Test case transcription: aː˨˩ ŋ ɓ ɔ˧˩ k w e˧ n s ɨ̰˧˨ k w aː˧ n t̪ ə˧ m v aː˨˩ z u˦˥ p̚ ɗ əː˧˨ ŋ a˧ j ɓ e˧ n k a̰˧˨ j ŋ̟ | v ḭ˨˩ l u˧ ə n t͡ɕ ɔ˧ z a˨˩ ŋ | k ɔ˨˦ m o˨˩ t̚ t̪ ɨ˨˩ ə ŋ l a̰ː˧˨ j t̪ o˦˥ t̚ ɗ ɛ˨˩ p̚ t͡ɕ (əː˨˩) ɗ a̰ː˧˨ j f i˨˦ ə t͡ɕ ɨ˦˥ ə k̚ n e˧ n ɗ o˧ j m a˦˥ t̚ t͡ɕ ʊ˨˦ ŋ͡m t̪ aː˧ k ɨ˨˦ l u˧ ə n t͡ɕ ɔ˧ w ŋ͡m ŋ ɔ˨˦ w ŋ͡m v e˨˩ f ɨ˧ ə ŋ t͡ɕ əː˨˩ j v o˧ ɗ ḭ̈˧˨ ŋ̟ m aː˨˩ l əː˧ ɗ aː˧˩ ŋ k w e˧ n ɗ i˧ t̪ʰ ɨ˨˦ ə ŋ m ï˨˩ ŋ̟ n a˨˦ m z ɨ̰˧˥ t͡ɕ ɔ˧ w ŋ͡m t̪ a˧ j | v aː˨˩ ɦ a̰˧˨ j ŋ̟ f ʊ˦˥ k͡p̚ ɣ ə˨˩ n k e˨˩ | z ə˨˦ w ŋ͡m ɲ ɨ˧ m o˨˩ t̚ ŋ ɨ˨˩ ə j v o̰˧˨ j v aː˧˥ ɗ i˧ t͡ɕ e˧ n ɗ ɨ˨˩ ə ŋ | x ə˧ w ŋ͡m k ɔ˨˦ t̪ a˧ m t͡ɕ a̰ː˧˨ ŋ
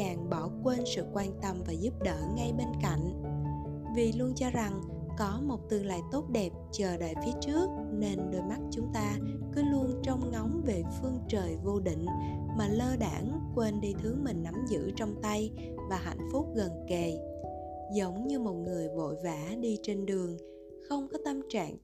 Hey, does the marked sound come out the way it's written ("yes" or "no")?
yes